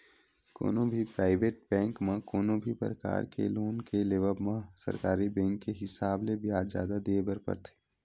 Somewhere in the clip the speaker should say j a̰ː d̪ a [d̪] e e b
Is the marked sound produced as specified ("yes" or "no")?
yes